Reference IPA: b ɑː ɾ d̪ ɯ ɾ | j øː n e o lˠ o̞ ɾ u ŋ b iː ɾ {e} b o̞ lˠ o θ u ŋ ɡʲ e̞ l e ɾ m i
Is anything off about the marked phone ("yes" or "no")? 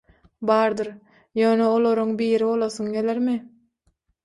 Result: yes